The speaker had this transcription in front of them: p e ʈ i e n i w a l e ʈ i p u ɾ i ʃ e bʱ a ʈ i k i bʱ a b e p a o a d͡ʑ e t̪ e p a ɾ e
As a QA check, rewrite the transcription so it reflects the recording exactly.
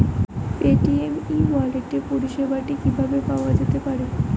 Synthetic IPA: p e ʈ i e m i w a l e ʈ e p u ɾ i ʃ e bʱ a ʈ i k i bʱ a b e p a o a d͡ʑ e t̪ e p a ɾ e